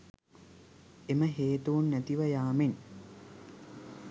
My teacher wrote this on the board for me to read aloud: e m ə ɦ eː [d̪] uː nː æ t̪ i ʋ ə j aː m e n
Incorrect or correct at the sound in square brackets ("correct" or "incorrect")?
incorrect